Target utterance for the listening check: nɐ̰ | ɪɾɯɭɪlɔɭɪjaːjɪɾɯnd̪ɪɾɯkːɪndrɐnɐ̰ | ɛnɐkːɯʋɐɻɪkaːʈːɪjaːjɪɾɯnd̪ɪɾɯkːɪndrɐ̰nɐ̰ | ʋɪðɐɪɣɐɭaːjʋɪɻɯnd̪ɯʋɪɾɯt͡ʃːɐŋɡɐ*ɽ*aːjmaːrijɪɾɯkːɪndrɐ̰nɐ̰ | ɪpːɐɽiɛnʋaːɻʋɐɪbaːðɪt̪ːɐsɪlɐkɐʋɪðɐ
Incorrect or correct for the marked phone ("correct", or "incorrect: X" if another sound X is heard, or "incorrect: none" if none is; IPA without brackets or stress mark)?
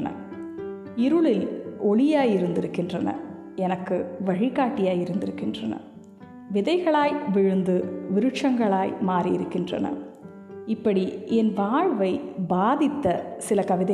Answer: incorrect: ɭ